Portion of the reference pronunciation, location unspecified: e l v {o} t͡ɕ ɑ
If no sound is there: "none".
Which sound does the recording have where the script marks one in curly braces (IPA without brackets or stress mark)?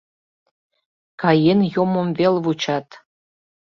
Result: u